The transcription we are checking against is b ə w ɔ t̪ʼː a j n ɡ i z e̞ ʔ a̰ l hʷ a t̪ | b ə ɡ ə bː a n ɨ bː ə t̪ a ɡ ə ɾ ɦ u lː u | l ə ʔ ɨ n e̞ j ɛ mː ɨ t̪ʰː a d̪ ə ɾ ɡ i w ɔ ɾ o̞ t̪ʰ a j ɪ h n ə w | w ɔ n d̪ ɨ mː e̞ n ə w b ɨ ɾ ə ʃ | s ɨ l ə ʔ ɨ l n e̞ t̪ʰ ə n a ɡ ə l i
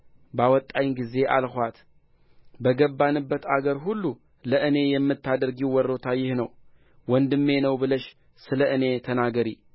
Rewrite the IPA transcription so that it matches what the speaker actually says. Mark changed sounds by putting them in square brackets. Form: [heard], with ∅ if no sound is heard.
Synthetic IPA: b [a] w ɔ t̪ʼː a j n ɡ i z e̞ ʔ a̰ l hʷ a t̪ | b ə ɡ ə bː a n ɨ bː ə t̪ a ɡ ə ɾ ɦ u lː u | l ə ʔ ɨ n e̞ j ɛ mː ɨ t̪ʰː a d̪ ə ɾ ɡ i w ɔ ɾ o̞ t̪ʰ a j ɪ h n ə w | w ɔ n d̪ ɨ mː e̞ n ə w b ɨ [l] ə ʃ | s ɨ l ə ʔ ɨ [∅] n e̞ t̪ʰ ə n a ɡ ə [ɾ] i